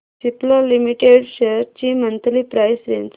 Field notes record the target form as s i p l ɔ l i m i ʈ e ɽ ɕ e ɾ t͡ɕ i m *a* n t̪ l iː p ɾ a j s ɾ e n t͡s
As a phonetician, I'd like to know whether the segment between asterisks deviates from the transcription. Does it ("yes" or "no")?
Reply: yes